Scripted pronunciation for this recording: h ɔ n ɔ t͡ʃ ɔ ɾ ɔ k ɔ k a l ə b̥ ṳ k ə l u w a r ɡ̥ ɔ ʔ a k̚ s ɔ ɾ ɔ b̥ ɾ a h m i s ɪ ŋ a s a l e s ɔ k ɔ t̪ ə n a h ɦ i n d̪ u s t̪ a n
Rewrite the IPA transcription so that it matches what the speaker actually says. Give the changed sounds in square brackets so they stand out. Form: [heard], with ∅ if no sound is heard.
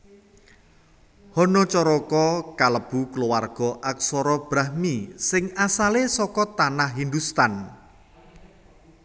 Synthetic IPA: h ɔ n ɔ t͡ʃ ɔ ɾ ɔ k ɔ k a l ə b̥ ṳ k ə l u w a r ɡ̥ ɔ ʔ a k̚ s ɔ ɾ ɔ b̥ ɾ a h m i s ɪ ŋ a s a l e s ɔ k ɔ t̪ [a] n a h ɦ i n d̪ u s t̪ a n